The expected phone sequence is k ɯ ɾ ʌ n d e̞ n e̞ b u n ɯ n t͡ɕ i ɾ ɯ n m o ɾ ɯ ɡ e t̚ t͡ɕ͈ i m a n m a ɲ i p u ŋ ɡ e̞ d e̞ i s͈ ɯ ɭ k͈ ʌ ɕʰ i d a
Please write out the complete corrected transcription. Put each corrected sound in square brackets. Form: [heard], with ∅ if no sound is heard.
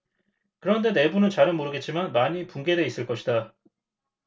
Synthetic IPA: k ɯ ɾ ʌ n d e̞ n e̞ b u n ɯ n t͡ɕ [a] ɾ ɯ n m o ɾ ɯ ɡ e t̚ t͡ɕ͈ i m a n m a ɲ i p u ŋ ɡ e̞ d e̞ i s͈ ɯ ɭ k͈ ʌ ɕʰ i d a